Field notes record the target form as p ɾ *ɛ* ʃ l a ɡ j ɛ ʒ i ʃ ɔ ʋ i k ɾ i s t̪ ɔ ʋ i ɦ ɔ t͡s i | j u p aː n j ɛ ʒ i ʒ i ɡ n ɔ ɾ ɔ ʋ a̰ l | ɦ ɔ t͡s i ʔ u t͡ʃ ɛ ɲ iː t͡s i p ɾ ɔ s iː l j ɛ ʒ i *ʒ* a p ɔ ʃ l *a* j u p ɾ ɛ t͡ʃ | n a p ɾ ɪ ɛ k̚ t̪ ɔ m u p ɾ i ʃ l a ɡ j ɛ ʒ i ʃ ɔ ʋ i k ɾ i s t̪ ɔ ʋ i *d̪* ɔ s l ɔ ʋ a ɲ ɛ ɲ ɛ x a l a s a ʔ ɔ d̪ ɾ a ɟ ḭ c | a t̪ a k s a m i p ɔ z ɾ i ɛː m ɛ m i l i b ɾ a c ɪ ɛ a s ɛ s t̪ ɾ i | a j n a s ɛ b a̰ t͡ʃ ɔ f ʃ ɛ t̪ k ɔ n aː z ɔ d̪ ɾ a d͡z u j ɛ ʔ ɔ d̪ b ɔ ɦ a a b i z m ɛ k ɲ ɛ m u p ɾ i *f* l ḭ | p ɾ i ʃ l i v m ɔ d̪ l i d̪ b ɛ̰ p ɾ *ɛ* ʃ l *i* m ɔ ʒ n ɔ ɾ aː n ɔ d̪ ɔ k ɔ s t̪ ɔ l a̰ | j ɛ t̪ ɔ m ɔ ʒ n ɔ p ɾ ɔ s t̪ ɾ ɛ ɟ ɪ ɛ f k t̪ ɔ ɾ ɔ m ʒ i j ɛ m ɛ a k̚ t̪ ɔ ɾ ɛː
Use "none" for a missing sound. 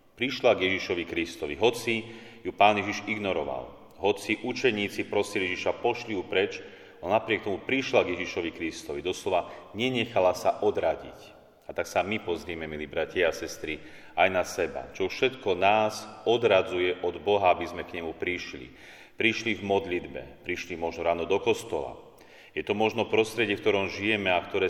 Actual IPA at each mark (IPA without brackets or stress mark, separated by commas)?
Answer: i, ʃ, i, d̪, ʃ, i, i